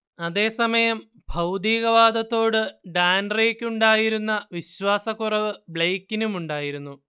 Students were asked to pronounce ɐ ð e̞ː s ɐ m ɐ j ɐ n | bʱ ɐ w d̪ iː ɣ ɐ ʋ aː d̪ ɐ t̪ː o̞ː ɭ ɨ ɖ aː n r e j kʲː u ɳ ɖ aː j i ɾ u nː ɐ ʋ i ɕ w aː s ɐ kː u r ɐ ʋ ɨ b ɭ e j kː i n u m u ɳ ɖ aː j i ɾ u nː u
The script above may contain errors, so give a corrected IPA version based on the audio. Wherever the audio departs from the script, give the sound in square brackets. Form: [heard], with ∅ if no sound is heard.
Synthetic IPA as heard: ɐ ð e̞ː s ɐ m ɐ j ɐ [m] | bʱ ɐ w d̪ iː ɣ ɐ ʋ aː d̪ ɐ t̪ː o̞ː [ɽ] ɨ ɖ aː n r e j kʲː u ɳ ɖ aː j i ɾ u nː ɐ ʋ i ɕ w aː s ɐ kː u r ɐ ʋ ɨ b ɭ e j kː i n u m u ɳ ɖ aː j i ɾ u nː u